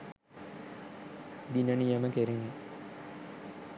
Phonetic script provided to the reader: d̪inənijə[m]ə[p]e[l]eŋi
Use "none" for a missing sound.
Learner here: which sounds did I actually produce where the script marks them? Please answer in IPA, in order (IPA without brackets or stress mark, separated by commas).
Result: m, k, ɾ